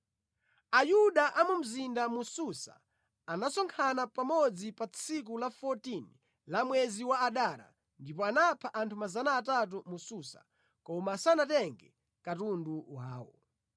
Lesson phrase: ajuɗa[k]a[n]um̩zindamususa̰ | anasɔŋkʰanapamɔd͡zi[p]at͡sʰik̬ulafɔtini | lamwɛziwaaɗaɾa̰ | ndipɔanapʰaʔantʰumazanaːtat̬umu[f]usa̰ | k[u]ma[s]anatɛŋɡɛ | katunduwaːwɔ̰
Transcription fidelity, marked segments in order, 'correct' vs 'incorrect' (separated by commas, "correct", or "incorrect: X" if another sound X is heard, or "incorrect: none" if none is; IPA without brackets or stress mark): incorrect: ʔ, incorrect: m, correct, incorrect: s, incorrect: ɔ, correct